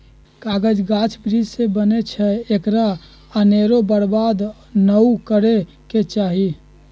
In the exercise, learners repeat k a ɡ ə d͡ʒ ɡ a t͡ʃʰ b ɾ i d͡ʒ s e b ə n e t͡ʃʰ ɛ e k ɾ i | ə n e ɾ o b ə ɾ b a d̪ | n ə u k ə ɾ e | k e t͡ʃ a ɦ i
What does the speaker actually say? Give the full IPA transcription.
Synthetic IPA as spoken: k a ɡ ə d͡ʒ ɡ a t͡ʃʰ b ɾ i d͡ʒ s e b ə n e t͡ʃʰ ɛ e k ɾ a | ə n e ɾ o b ə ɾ b a d̪ | n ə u k ə ɾ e | k e t͡ʃ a ɦ i